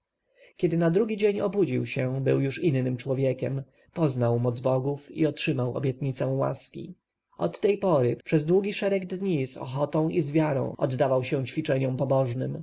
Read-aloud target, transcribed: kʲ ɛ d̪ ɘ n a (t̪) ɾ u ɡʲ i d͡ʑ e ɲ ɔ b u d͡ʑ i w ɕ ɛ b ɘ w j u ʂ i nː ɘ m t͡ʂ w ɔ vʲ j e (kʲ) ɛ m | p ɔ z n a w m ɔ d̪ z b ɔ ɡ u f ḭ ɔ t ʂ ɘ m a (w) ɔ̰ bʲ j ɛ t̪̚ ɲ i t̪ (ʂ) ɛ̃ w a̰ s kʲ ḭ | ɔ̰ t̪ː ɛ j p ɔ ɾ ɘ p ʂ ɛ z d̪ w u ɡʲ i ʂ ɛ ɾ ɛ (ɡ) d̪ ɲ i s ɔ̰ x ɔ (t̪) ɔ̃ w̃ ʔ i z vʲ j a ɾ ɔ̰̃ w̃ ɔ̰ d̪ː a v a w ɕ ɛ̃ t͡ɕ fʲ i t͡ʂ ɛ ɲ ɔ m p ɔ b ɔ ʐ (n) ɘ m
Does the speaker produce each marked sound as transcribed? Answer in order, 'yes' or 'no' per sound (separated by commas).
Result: no, yes, yes, no, yes, yes, yes